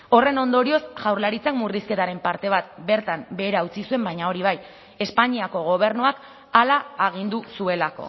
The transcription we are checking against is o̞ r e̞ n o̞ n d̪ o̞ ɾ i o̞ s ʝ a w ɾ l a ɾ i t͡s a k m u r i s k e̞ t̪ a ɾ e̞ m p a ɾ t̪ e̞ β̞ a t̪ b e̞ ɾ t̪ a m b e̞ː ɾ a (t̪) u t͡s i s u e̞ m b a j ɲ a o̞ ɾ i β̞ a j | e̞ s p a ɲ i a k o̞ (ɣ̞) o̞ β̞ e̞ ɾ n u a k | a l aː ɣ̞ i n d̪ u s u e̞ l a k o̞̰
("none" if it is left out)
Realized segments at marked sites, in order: none, ɣ̞

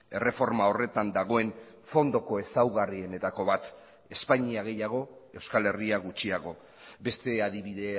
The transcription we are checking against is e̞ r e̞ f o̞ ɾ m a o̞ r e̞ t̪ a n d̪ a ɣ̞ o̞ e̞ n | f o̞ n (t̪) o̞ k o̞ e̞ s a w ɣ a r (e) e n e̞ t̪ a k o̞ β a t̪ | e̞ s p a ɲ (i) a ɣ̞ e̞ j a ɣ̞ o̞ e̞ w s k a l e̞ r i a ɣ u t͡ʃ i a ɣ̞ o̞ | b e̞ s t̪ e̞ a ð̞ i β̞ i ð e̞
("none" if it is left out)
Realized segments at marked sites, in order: d̪, i, i

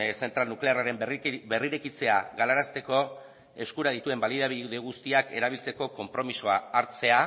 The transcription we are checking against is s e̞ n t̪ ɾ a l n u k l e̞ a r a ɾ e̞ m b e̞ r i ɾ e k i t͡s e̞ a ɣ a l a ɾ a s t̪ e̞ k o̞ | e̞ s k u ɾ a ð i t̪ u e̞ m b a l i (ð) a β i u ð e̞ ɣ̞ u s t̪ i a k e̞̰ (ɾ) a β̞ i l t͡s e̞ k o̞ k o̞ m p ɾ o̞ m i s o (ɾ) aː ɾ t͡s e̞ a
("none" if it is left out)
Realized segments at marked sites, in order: ð, ɾ, none

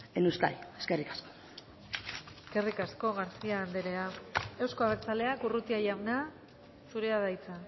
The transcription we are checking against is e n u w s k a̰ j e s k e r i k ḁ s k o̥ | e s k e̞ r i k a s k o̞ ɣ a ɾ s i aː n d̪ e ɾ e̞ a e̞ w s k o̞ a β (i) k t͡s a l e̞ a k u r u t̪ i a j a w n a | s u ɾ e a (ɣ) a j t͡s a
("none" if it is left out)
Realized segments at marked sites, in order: e, ð

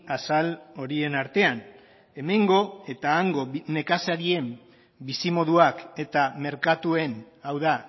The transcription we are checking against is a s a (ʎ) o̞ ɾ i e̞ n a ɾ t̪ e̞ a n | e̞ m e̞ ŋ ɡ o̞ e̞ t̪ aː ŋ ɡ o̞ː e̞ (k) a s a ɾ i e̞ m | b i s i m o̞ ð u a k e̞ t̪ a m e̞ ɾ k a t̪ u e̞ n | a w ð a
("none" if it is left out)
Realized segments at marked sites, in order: l, k

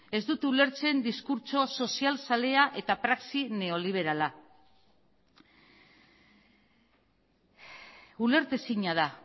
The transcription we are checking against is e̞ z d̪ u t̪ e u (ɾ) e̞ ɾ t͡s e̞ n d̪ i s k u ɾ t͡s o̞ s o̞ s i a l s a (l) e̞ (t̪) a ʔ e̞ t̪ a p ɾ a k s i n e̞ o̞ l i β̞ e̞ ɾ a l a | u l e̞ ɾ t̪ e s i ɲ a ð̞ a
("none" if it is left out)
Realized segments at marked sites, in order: l, l, none

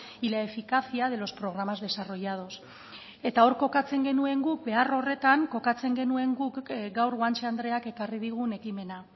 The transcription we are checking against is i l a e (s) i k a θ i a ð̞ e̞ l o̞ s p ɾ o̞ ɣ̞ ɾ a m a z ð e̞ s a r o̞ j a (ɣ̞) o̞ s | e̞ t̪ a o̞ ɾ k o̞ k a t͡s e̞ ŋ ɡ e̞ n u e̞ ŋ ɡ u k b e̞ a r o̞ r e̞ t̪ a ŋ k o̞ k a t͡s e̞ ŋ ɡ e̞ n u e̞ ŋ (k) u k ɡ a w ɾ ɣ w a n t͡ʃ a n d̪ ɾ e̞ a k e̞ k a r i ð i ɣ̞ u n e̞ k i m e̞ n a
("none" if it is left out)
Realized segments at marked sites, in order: f, ð̞, ɡ

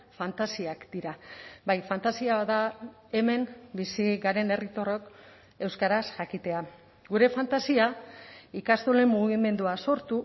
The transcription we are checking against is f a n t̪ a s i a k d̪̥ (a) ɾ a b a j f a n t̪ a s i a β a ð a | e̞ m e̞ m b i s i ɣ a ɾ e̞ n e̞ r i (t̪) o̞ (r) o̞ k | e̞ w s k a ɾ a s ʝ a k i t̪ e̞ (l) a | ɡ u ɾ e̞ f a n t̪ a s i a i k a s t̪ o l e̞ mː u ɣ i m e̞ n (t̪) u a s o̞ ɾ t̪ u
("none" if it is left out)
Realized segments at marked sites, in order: i, t̪, r, none, d̪

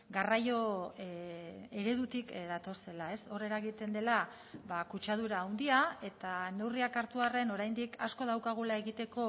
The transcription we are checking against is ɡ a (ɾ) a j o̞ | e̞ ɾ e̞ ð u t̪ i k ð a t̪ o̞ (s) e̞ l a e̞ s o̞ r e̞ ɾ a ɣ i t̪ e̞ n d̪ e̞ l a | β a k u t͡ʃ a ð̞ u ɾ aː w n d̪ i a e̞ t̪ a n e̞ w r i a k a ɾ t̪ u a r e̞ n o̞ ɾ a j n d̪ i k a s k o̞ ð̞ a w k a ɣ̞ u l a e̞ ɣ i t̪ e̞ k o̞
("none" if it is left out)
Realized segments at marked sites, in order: r, s

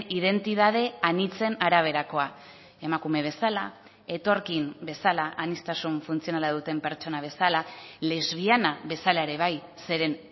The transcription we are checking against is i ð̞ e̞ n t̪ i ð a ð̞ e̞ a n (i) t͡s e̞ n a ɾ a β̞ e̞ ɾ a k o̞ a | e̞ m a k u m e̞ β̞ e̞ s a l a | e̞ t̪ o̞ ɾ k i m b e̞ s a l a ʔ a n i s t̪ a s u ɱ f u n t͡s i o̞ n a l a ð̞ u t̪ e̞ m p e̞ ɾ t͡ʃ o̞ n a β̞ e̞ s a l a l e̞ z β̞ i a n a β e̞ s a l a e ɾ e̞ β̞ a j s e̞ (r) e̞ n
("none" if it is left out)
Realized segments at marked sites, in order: i, ɾ

